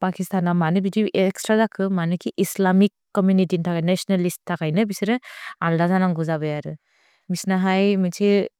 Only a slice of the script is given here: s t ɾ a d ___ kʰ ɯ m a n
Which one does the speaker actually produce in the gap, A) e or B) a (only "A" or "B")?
B